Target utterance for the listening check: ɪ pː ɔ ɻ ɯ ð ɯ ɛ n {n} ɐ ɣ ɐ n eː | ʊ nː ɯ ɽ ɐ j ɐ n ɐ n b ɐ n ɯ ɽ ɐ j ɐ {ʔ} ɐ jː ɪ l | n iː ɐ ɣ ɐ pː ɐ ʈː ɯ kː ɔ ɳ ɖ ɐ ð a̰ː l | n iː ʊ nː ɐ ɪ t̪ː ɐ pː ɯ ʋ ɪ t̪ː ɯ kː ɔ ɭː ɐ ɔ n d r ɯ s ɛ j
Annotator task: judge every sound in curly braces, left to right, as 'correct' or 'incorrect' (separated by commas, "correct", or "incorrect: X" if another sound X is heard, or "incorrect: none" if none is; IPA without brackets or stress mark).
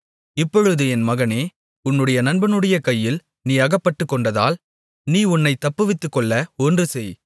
incorrect: m, incorrect: k